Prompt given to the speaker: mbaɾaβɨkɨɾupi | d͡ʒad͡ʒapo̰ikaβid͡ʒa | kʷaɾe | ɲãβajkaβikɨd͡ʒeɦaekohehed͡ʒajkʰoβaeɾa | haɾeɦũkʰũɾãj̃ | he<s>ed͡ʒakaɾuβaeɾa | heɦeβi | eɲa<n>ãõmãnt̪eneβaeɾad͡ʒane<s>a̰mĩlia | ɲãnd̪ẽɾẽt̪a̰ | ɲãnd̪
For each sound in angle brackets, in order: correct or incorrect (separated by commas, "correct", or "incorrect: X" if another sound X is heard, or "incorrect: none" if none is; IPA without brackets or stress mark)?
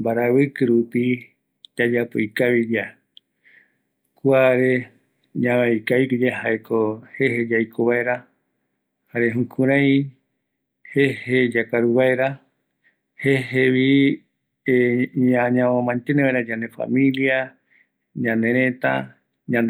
incorrect: h, incorrect: ɲ, incorrect: f